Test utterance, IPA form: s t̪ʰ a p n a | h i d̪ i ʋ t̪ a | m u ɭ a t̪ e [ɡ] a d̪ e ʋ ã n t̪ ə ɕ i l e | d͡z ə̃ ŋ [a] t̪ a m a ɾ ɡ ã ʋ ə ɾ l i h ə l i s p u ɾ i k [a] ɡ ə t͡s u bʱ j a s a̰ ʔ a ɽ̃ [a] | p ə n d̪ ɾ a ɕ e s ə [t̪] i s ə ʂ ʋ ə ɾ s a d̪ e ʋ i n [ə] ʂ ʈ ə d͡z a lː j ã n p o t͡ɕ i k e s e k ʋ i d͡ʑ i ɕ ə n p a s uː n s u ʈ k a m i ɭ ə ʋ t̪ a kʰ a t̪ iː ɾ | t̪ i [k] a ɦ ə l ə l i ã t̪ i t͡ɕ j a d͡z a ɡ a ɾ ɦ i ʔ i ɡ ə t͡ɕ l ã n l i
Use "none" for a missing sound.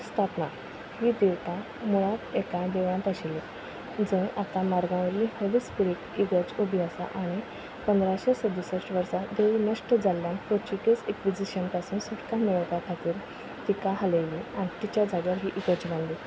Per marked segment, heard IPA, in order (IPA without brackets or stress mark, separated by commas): k, a, i, i, d̪, ə, k